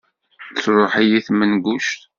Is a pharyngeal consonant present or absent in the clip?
present